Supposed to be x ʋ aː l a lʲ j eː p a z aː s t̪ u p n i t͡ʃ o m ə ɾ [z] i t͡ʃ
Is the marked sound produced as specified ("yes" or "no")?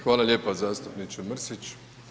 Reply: no